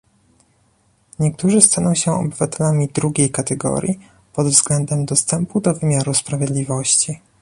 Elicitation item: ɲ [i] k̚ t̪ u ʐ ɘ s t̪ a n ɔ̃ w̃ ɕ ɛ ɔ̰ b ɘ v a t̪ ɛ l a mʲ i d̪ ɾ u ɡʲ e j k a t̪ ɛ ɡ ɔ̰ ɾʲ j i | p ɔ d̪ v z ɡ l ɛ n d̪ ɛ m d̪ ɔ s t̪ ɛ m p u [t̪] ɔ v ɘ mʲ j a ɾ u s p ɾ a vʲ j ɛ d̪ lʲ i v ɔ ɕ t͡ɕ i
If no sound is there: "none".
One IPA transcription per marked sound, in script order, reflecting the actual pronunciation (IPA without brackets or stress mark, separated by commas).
ɛ, d̪